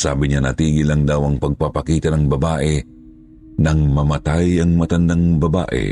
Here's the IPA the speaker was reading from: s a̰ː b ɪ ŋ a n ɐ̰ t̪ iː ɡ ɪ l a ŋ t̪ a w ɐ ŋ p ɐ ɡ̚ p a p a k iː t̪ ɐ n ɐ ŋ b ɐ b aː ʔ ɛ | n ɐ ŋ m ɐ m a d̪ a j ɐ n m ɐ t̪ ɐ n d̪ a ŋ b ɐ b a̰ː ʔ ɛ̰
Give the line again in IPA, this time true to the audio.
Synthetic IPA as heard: s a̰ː b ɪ ɲ a n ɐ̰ t̪ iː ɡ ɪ l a ŋ d̪ a w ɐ ŋ p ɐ ɡ̚ p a p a k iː t̪ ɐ n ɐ ŋ b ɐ b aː ʔ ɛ | n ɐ ŋ m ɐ m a t̪ a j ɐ ŋ m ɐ t̪ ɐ n d̪ a ŋ b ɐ b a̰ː ʔ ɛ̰